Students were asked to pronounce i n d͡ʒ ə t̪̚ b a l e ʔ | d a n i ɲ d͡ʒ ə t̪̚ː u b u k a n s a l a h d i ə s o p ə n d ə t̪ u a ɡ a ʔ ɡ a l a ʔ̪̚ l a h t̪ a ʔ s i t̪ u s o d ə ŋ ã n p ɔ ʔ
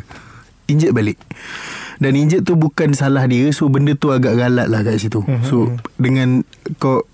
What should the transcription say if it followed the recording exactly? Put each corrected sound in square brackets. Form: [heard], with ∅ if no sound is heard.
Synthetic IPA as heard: i [ɲ] d͡ʒ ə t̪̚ b a l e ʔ | d a n i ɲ d͡ʒ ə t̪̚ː u b u k a n s a l a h d i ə s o [b] ə n d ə t̪ u a ɡ a ʔ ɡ a l a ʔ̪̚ l a h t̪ a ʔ s i t̪ u s o d ə ŋ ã n [k] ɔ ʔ